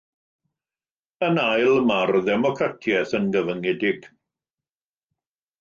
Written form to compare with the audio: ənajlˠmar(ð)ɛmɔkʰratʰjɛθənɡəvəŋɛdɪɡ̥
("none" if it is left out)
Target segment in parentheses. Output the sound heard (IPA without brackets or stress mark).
ð